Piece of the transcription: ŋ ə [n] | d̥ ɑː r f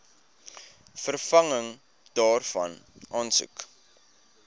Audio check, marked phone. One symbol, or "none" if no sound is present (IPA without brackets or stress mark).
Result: ŋ